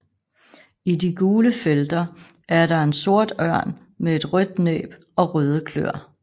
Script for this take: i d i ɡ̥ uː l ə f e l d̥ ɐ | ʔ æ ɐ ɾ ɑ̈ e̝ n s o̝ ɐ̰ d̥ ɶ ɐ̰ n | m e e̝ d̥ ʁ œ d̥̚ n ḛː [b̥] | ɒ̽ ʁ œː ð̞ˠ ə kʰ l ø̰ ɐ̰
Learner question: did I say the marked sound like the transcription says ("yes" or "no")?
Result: yes